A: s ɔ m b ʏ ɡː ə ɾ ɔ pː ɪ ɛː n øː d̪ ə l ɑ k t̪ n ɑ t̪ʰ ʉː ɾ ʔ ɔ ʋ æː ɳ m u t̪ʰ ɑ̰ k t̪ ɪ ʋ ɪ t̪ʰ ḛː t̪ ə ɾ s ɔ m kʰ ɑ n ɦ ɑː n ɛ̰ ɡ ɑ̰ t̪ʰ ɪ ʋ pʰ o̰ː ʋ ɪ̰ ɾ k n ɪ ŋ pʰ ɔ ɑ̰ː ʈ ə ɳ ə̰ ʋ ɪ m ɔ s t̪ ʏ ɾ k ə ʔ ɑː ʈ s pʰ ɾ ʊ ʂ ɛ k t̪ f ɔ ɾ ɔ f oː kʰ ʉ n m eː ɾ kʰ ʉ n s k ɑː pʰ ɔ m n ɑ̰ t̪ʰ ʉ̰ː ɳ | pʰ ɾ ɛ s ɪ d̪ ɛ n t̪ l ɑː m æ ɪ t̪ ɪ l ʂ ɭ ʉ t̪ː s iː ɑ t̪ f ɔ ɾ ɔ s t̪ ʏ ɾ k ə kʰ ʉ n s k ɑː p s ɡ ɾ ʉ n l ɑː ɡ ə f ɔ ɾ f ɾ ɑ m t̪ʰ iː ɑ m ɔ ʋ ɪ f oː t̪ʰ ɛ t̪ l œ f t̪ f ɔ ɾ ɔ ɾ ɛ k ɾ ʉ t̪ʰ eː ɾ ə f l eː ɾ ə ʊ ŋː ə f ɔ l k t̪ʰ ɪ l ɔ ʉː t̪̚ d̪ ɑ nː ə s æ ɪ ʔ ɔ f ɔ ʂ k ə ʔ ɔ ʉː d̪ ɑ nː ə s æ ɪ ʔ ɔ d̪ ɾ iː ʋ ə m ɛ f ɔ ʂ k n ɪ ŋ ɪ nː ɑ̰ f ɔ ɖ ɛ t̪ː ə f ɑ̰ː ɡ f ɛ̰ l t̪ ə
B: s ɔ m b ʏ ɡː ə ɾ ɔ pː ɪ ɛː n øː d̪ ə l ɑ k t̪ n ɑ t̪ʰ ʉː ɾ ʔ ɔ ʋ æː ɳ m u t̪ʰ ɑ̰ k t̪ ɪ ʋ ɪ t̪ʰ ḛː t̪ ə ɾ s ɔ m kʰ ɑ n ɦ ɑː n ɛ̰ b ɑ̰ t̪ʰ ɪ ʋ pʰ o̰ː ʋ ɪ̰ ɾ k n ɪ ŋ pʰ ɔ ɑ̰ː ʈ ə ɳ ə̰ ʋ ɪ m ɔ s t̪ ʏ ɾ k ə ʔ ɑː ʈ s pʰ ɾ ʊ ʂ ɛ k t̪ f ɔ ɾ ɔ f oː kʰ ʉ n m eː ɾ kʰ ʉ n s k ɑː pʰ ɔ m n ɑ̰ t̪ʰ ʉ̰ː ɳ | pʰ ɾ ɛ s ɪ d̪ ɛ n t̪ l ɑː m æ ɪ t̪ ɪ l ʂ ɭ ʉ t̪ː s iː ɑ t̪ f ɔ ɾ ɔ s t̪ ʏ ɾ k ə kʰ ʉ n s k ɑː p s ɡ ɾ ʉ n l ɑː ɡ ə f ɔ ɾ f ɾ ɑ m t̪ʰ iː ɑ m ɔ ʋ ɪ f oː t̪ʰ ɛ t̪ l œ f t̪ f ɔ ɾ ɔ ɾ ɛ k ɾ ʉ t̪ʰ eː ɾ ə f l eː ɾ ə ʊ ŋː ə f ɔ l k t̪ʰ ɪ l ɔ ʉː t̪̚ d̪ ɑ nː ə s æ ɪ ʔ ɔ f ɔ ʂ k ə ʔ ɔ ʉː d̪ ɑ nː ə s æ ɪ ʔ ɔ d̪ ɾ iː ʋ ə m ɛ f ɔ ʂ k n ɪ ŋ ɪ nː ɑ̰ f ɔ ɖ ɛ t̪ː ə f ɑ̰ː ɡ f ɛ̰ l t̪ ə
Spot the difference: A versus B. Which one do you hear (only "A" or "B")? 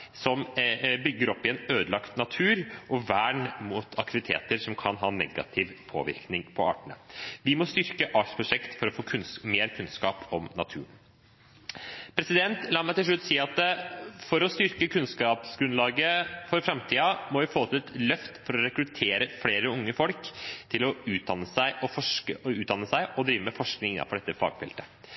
A